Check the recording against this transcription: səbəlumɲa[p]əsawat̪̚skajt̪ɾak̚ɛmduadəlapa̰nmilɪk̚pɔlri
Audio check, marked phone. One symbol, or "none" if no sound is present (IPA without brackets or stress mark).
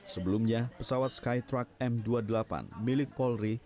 p